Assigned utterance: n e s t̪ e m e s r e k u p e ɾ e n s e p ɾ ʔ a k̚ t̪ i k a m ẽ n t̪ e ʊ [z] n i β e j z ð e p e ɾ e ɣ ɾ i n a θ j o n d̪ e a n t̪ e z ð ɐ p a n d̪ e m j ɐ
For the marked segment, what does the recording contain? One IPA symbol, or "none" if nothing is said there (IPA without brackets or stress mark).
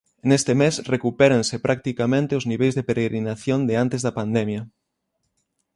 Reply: z